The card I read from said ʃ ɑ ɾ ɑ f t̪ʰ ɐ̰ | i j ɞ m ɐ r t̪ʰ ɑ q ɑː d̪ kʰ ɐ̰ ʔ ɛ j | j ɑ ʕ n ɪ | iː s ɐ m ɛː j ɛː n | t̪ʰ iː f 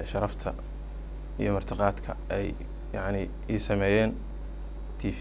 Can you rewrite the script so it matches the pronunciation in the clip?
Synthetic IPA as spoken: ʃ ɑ ɾ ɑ f t̪ʰ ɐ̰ | i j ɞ m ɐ r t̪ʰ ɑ q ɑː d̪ kʰ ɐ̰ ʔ ɛ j | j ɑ ʕ n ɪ | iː s ɐ m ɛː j ɛː n | t̪ʰ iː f